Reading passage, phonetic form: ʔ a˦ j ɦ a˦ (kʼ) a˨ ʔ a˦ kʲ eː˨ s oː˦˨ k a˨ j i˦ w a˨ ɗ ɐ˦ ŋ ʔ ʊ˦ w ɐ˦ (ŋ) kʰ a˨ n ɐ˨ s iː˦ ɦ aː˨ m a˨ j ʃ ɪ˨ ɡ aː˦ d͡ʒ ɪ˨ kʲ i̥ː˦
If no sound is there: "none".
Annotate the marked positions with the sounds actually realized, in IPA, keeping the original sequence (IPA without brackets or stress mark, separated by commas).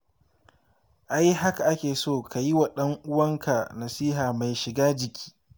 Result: k, ŋ